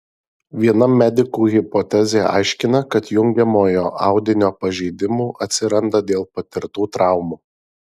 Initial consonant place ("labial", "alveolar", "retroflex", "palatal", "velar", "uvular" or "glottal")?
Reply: labial